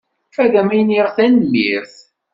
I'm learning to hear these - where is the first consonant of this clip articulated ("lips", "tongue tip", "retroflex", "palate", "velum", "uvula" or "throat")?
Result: lips